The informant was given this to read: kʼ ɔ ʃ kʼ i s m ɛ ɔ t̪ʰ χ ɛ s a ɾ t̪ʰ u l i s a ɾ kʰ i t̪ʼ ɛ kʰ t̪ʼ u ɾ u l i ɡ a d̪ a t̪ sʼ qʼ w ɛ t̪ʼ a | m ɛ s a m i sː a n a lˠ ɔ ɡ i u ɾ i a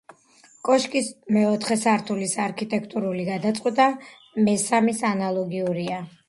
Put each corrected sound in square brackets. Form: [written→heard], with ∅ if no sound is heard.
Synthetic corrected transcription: kʼ ɔ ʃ kʼ i s m ɛ ɔ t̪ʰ χ ɛ s a ɾ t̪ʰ u l i s a ɾ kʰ i t̪ʼ ɛ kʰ t̪ʼ u ɾ u l i ɡ a d̪ a t̪ sʼ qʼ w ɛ t̪ʼ a | m ɛ s a m i [sː→s] a n a lˠ ɔ ɡ i u ɾ i a

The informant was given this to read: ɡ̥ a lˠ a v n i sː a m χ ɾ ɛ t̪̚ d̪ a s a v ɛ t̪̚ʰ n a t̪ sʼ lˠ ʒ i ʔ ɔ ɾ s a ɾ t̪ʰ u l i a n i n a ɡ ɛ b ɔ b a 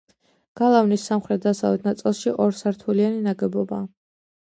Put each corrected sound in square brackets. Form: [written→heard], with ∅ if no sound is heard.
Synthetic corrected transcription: ɡ̥ a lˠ a v n i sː a m χ ɾ ɛ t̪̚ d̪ a s a v ɛ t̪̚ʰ n a t̪ sʼ lˠ [ʒ→ʃ] i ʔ ɔ ɾ s a ɾ t̪ʰ u l i a n i n a ɡ ɛ b ɔ b a

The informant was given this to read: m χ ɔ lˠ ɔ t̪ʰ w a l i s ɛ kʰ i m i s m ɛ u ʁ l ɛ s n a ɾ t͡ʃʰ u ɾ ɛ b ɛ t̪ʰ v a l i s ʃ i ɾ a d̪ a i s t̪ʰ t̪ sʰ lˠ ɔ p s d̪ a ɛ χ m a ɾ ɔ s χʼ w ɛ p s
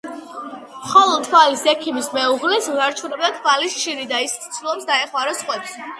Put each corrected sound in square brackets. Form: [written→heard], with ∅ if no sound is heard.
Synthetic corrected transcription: m χ ɔ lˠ ɔ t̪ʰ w a l i s ɛ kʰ i m i s m ɛ u ʁ l ɛ s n a ɾ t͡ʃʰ u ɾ ɛ b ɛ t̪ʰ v a l i s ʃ i ɾ [a→i] d̪ a i s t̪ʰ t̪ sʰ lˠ ɔ p s d̪ a ɛ χ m a ɾ ɔ s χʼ w ɛ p s

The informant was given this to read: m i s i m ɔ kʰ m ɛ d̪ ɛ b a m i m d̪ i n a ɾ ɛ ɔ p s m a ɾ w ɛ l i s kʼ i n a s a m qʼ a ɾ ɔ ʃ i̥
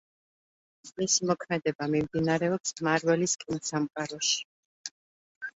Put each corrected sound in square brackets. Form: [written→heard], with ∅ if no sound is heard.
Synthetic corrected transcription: m i s i m ɔ kʰ m ɛ d̪ ɛ b a m i m d̪ i n a ɾ ɛ ɔ p s m a ɾ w ɛ l i s kʼ i n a s a m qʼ a ɾ ɔ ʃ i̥

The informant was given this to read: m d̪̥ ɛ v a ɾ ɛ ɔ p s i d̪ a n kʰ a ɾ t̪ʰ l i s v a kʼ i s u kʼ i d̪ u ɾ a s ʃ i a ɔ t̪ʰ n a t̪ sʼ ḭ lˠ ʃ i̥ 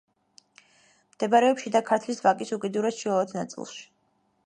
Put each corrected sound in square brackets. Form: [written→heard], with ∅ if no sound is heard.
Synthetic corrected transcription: m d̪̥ ɛ [v→b] a ɾ ɛ ɔ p [s→ʃ] i d̪ a [n→∅] kʰ a ɾ t̪ʰ l i s v a kʼ i s u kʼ i d̪ u ɾ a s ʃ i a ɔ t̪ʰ n a t̪ sʼ ḭ lˠ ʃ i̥

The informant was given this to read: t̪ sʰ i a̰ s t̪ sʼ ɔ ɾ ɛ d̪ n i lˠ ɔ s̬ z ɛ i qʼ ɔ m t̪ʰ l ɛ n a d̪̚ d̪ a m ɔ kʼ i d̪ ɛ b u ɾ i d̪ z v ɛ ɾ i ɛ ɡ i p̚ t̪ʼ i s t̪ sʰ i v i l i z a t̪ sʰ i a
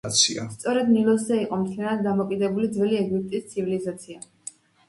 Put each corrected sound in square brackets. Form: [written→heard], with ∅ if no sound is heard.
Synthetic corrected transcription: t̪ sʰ i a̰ s t̪ sʼ ɔ ɾ ɛ d̪ n i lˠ ɔ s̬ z ɛ i qʼ ɔ m t̪ʰ l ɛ n a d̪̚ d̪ a m ɔ kʼ i d̪ ɛ b u [ɾ→l] i d̪ z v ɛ [ɾ→l] i ɛ ɡ i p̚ t̪ʼ i s t̪ sʰ i v i l i z a t̪ sʰ i a

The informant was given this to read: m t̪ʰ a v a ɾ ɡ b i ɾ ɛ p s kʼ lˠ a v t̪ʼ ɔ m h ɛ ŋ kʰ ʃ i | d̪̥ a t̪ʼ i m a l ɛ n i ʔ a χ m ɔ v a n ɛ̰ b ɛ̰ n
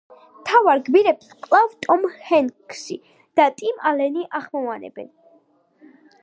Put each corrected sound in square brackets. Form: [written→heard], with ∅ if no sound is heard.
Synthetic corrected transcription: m t̪ʰ a v a ɾ ɡ b i ɾ ɛ p s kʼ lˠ a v t̪ʼ ɔ m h ɛ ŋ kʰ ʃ i | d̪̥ a t̪ʼ i m a l ɛ n i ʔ a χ m ɔ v a n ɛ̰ b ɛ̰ n

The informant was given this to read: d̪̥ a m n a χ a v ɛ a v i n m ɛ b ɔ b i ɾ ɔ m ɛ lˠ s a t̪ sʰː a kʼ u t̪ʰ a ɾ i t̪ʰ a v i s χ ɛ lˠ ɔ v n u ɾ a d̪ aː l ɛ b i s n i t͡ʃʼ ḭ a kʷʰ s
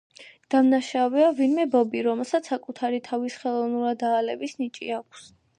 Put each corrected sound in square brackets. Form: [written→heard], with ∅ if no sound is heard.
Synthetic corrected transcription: d̪̥ a m n a [χ→ʃ] a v ɛ a v i n m ɛ b ɔ b i ɾ ɔ m ɛ lˠ s a t̪ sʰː a kʼ u t̪ʰ a ɾ i t̪ʰ a v i s χ ɛ lˠ ɔ v n u ɾ a d̪ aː l ɛ b i s n i t͡ʃʼ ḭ a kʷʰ s

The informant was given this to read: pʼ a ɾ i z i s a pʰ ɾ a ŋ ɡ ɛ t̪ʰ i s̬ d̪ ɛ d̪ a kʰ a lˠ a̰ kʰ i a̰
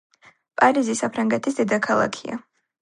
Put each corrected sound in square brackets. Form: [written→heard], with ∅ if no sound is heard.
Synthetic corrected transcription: pʼ a ɾ i z i s a pʰ ɾ a ŋ ɡ ɛ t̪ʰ i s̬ d̪ ɛ d̪ a kʰ a lˠ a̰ kʰ i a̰

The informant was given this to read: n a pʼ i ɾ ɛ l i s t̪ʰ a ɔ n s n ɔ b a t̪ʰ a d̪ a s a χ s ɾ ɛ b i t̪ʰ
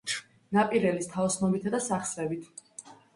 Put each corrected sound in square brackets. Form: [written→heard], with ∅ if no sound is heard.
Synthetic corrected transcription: n a pʼ i ɾ ɛ l i s t̪ʰ a ɔ [n→∅] s n ɔ b [a→i] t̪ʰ a d̪ a s a χ s ɾ ɛ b i t̪ʰ

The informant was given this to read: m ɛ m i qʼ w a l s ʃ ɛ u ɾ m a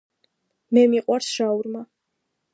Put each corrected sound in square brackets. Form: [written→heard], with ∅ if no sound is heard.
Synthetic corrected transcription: m ɛ m i qʼ w a [l→ɾ] s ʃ [ɛ→a] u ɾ m a

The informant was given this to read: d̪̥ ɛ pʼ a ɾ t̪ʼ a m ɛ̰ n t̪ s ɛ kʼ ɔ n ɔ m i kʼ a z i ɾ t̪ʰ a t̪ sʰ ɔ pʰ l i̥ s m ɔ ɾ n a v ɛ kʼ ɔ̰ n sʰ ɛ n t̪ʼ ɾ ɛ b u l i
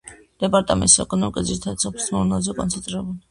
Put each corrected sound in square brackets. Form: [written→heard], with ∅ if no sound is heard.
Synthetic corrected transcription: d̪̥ ɛ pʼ a ɾ t̪ʼ a m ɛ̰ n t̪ s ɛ kʼ ɔ n ɔ m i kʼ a z i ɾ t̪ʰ a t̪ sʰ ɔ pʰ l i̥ s m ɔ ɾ n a [v→z] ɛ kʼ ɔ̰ n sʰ ɛ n t̪ʼ ɾ ɛ b u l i

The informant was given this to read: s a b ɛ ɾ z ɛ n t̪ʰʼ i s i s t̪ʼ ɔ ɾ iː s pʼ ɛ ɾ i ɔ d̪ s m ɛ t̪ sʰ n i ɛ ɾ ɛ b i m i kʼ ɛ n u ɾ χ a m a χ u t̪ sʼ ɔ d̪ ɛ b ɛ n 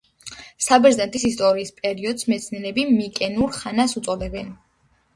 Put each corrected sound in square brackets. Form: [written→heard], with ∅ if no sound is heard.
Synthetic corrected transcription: s a b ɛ ɾ z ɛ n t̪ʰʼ i s i s t̪ʼ ɔ ɾ iː s pʼ ɛ ɾ i ɔ d̪ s m ɛ t̪ sʰ n i ɛ ɾ ɛ b i m i kʼ ɛ n u ɾ χ a [m→n] a [χ→s] u t̪ sʼ ɔ d̪ ɛ b ɛ n

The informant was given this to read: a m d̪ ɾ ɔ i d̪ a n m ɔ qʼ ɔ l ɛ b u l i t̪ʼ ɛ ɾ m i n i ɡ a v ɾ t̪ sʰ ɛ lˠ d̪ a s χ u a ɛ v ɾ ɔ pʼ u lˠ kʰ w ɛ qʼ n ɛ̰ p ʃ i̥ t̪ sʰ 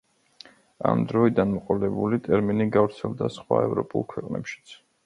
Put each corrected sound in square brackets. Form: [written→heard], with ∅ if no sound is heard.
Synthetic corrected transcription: a m d̪ ɾ ɔ i d̪ a n m ɔ qʼ ɔ l ɛ b u l i t̪ʼ ɛ ɾ m i n i ɡ a v ɾ t̪ sʰ ɛ lˠ d̪ a s χ [u→w] a ɛ v ɾ ɔ pʼ u lˠ kʰ w ɛ qʼ n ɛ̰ p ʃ i̥ t̪ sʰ

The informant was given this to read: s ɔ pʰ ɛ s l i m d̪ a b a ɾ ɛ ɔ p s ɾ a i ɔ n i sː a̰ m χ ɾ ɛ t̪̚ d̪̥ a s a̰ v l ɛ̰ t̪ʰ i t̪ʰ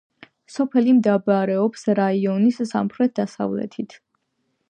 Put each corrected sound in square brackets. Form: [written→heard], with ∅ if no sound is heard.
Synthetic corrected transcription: s ɔ pʰ ɛ [s→∅] l i m d̪ a b a ɾ ɛ ɔ p s ɾ a i ɔ n i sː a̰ m χ ɾ ɛ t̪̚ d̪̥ a s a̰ v l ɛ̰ t̪ʰ i t̪ʰ

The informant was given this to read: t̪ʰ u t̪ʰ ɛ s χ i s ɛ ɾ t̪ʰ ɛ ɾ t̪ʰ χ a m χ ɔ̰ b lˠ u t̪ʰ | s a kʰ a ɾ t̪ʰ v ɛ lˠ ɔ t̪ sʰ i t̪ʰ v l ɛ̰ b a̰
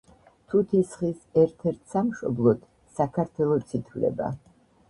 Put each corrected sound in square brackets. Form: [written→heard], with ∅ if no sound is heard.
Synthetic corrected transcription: t̪ʰ u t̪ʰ [ɛ→i] s χ i s ɛ ɾ t̪ʰ ɛ ɾ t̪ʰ [χ→s] a m [χ→ʃ] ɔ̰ b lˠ [u→ɔ] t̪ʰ | s a kʰ a ɾ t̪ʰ [v→w] ɛ lˠ ɔ t̪ sʰ i t̪ʰ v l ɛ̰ b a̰

